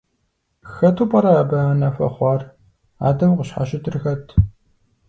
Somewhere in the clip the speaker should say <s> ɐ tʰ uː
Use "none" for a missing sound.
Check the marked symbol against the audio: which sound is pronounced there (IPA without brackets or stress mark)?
x